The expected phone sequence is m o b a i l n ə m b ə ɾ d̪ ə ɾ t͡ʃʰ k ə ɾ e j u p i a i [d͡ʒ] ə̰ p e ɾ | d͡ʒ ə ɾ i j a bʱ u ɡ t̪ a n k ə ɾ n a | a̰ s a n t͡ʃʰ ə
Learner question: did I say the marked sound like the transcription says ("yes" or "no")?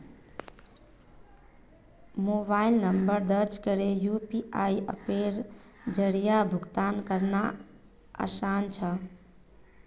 no